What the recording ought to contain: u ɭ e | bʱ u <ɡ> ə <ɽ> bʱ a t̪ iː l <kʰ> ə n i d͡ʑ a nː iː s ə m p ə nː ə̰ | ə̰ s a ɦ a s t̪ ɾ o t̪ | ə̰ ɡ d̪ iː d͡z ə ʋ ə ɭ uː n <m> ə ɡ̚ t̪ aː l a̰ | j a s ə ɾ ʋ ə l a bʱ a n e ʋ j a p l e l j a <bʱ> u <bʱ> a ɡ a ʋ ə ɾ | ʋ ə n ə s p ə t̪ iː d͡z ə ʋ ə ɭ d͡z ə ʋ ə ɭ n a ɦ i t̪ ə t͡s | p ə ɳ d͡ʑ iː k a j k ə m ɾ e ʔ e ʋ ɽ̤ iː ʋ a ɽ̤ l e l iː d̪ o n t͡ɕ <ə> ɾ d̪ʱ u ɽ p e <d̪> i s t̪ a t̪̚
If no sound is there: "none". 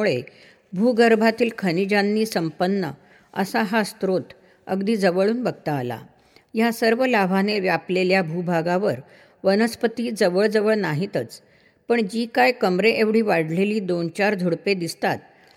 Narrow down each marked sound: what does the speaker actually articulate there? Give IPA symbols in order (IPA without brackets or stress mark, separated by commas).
ɡ, ɾ, kʰ, b, bʱ, bʱ, a, d̪